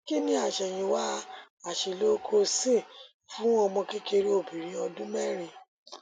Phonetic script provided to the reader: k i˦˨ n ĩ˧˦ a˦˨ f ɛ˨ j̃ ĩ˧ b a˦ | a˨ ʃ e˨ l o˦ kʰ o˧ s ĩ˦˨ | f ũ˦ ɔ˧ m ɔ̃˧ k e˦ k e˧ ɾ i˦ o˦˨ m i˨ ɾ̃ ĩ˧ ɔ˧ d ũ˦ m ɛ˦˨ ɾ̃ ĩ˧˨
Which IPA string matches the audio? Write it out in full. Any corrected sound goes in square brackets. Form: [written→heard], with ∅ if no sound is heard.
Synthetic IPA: k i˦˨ n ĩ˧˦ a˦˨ [f→ʃ] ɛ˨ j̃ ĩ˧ [b→w] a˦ | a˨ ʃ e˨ l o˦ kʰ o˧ s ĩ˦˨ | f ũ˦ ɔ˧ m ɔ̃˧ k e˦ k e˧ ɾ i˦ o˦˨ [m→b] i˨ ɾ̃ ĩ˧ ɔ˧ d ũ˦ m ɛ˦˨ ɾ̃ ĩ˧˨